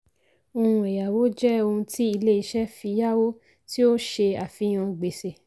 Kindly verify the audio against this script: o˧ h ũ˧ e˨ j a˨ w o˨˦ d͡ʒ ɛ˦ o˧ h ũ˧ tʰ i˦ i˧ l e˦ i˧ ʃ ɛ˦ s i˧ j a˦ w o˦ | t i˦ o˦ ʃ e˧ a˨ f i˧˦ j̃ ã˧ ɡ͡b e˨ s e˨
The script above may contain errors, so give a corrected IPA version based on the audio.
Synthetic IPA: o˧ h ũ˧ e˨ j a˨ w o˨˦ d͡ʒ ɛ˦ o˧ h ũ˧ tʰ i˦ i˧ l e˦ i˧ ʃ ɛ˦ f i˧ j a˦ w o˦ | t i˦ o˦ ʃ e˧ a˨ f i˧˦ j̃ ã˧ ɡ͡b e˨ s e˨